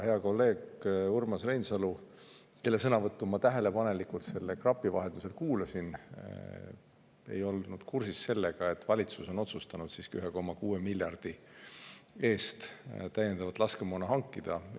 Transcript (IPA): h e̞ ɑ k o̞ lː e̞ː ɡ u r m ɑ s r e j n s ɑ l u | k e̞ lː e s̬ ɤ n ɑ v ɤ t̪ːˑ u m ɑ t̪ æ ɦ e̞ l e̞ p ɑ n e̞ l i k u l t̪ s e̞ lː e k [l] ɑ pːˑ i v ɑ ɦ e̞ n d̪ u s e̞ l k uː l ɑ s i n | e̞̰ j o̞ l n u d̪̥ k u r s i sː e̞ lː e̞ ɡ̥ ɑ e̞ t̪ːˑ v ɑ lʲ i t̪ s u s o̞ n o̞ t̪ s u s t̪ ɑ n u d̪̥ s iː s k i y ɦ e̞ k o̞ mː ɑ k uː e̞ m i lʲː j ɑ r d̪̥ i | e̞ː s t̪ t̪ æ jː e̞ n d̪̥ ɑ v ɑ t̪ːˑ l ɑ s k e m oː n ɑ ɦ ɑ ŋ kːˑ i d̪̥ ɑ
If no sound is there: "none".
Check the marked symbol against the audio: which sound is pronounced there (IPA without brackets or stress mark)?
r